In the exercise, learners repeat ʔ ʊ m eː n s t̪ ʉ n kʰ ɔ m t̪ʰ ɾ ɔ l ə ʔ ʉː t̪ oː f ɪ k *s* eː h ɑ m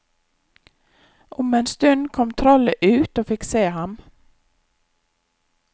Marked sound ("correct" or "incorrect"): correct